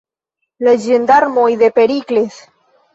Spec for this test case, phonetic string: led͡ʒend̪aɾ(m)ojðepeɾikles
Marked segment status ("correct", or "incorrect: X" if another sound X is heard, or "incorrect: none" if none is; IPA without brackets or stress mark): correct